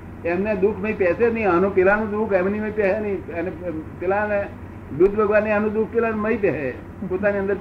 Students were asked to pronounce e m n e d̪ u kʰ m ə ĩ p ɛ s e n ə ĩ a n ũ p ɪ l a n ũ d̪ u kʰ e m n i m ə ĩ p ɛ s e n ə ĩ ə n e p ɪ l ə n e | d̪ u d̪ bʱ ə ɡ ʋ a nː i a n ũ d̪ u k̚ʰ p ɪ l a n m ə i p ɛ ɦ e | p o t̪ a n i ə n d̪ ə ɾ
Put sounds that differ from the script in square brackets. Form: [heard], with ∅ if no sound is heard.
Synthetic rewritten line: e m n e d̪ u kʰ m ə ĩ p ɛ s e n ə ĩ a n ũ p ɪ l a n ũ d̪ u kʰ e m n i m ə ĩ p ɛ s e n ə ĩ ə n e p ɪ l [a] n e | d̪ u d̪ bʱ ə ɡ ʋ a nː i a n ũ d̪ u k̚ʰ p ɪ l a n m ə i p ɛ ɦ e | p o t̪ a n i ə n d̪ ə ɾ